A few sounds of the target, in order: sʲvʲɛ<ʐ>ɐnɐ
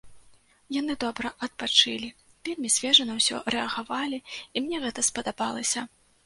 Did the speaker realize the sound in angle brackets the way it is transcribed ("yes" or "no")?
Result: yes